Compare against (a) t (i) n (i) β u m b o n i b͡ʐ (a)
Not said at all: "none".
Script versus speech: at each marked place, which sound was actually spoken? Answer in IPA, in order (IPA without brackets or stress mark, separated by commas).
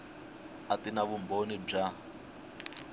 a, i, a, a